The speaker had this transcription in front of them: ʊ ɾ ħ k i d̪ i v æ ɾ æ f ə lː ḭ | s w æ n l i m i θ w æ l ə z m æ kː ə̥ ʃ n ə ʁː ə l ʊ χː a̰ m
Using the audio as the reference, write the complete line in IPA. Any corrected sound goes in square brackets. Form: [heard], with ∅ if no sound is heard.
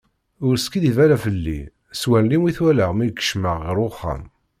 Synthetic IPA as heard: ʊ ɾ [s] k i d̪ i v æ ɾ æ f ə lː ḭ | s w æ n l i m i θ w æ l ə [ʁ] m [i] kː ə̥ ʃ [m] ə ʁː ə [ɾ] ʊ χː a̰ m